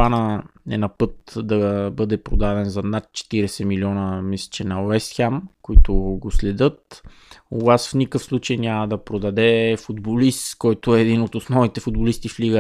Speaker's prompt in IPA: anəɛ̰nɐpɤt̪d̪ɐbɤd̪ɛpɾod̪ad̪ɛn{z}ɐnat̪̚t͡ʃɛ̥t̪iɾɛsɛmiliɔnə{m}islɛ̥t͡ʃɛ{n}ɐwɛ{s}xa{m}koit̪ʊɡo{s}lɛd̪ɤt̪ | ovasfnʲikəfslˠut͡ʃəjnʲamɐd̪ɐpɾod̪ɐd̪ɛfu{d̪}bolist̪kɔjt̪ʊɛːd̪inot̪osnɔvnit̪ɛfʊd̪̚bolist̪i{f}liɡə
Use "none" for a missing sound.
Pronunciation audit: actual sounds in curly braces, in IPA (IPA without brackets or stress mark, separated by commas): z, m, n, s, m, s, d̪, f